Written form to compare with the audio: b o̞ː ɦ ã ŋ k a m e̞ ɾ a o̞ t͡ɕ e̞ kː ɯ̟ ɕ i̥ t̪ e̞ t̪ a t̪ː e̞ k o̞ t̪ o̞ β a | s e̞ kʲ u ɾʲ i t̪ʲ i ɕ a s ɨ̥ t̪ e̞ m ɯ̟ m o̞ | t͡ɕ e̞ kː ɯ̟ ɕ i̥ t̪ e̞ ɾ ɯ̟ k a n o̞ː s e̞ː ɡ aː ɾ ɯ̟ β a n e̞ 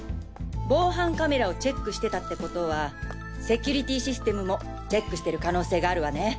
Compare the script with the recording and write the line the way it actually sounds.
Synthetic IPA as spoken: b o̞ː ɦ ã ŋ k a m e̞ ɾ a o̞ t͡ɕ e̞ kː ɯ̟ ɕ i̥ t̪ e̞ t̪ a t̪ː e̞ k o̞ t̪ o̞ β a | s e̞ kʲ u ɾʲ i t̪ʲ i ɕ i s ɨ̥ t̪ e̞ m ɯ̟ m o̞ | t͡ɕ e̞ kː ɯ̟ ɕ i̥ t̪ e̞ ɾ ɯ̟ k a n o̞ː s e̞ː ɡ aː ɾ ɯ̟ β a n e̞